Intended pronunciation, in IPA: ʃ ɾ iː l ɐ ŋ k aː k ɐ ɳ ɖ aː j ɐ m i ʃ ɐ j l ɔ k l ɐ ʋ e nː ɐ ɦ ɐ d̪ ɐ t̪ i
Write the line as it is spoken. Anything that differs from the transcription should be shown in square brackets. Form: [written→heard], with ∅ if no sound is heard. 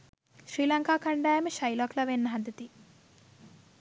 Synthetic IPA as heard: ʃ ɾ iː l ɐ ŋ k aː k ɐ ɳ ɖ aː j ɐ m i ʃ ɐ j l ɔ k l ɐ ʋ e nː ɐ ɦ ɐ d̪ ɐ t̪ i